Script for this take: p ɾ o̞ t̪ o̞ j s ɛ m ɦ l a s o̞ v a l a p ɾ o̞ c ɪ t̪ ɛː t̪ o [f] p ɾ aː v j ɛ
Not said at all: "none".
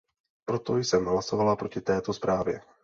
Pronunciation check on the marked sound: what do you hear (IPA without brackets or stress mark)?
s